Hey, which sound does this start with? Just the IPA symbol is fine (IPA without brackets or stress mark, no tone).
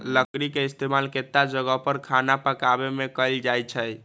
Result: l